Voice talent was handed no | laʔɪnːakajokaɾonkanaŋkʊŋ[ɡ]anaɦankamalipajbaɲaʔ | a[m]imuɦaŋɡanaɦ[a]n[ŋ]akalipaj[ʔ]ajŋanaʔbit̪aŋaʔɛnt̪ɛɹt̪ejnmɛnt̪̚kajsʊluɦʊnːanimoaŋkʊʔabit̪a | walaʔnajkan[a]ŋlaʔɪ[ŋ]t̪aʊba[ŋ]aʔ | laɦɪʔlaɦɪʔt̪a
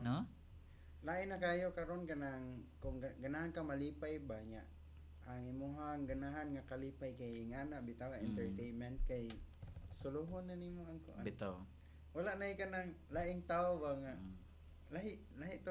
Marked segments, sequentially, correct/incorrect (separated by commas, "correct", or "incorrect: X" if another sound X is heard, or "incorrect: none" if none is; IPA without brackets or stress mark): correct, incorrect: ŋ, correct, correct, incorrect: k, correct, correct, correct